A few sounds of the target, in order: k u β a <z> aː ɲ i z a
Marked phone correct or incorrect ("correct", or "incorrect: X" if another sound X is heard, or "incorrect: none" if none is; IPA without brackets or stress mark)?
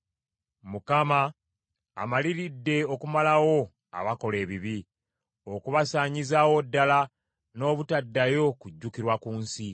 incorrect: s